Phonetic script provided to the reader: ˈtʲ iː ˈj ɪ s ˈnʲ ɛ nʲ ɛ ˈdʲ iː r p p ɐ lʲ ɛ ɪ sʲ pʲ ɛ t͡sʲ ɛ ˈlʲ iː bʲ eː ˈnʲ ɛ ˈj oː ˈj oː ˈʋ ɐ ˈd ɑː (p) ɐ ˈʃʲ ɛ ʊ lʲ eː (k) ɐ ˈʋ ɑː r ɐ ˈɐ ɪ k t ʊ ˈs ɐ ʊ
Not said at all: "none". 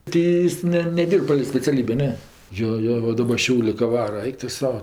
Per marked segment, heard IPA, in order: b, k

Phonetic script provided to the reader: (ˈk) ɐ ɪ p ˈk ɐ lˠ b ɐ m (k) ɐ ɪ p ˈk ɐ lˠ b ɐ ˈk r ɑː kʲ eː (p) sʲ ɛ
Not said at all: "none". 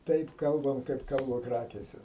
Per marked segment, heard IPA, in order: t, k, none

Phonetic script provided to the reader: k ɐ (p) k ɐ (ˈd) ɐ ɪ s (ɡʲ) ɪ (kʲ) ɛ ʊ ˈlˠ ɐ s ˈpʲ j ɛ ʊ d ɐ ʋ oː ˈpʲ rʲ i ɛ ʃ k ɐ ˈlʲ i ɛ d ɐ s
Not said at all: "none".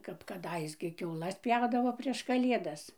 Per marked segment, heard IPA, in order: p, d, ɡʲ, kʲ

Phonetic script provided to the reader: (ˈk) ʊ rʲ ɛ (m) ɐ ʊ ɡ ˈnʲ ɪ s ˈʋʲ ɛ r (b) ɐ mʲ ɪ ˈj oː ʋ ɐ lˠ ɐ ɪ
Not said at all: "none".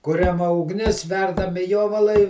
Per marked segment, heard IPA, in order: k, m, d

